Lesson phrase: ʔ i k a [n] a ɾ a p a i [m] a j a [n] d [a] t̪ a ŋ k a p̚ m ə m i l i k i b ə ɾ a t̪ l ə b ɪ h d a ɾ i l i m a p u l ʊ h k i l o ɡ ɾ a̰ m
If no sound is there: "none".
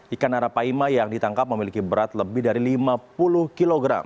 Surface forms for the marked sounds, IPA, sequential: n, m, ŋ, i

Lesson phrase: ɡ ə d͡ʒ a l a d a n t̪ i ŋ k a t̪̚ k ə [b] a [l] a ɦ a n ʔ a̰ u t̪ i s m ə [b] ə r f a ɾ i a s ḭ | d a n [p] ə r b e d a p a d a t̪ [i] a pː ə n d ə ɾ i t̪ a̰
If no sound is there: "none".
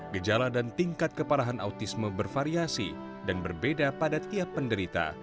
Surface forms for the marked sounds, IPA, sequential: p, ɾ, b, b, i

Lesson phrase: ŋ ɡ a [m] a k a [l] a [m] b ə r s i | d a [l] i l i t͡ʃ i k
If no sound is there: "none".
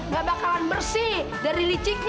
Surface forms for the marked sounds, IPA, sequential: b, l, n, ɾ

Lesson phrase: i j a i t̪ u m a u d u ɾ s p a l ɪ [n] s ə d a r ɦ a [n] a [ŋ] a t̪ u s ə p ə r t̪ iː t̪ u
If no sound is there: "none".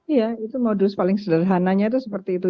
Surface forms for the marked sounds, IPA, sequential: ŋ, n, ɲ

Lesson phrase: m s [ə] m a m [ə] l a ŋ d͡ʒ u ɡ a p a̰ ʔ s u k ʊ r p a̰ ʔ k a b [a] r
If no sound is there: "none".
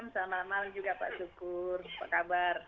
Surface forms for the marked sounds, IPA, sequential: a, a, a

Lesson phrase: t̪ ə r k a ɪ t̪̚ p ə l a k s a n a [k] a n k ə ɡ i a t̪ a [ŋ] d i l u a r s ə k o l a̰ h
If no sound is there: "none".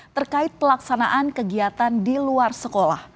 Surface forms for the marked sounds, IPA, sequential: ʔ, n

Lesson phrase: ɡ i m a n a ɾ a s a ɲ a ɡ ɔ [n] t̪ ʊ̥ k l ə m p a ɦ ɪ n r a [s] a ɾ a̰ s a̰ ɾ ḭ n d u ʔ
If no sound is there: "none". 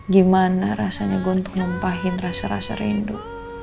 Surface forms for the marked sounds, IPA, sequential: n, s

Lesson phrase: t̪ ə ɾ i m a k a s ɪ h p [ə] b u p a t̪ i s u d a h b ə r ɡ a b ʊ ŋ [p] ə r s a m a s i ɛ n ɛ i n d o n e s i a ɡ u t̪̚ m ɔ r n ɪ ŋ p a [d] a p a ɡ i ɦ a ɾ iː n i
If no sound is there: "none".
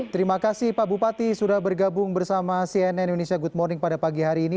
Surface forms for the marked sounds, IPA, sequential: a, b, d

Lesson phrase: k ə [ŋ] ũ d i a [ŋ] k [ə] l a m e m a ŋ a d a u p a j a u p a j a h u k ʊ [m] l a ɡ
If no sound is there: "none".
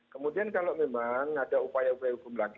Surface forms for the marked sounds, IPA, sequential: m, n, a, m

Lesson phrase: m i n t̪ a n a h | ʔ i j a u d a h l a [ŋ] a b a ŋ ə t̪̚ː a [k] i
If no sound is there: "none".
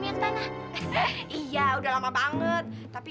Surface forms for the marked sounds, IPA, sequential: m, p

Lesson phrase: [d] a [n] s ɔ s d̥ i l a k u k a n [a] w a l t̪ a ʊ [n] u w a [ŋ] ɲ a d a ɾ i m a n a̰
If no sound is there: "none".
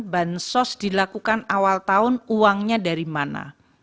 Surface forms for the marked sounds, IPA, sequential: b, n, a, n, ŋ

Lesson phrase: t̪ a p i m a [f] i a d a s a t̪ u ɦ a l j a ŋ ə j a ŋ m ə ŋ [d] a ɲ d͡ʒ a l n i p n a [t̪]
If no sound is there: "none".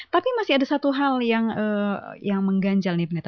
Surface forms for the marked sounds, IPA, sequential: s, ɡ, t̪

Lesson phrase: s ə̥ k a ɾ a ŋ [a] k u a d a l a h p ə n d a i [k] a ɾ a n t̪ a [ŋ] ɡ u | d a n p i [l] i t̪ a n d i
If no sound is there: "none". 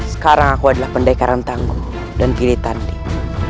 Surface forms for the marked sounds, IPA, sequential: a, k, ŋ, l

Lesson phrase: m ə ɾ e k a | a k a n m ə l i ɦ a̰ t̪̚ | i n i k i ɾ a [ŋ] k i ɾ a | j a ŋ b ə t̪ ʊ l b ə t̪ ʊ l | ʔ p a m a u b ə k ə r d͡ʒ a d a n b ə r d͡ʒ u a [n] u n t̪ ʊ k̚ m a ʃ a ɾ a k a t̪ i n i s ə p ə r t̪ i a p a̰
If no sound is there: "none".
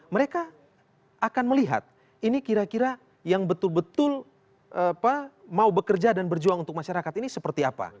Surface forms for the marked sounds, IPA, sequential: none, ŋ

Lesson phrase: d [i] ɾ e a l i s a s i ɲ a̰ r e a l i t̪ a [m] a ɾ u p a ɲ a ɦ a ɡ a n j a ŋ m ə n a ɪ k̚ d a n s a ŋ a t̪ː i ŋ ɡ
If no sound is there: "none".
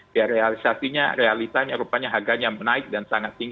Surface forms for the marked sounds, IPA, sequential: a, ɲ

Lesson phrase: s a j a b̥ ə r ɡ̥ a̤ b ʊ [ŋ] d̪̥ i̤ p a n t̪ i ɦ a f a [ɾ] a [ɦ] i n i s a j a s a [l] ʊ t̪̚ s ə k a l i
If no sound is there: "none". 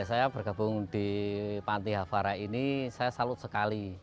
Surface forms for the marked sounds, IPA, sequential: ŋ, ɾ, none, l

